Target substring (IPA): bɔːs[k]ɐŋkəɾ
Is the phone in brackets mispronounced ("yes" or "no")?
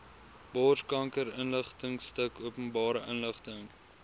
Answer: no